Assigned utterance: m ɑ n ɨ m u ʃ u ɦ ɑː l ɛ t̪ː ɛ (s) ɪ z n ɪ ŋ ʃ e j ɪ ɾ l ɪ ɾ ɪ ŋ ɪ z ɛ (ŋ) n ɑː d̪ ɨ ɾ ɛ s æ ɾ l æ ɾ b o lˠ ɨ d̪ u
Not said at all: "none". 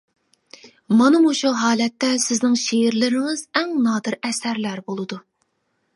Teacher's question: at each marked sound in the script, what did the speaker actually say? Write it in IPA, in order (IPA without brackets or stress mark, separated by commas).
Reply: s, ŋ